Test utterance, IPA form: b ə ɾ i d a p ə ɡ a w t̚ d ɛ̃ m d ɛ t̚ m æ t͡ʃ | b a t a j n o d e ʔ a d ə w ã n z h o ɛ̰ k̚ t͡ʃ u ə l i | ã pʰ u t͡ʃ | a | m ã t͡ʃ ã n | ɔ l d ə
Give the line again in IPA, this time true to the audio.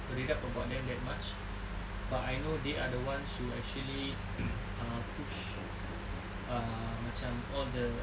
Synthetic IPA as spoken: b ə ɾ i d a p ə b a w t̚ d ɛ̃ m d ɛ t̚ m a t͡ʃ | b a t a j n o d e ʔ a d ə w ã n s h u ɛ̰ k̚ t͡ʃ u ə l i | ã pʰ u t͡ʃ | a | m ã t͡ʃ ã m | ɔ l d ə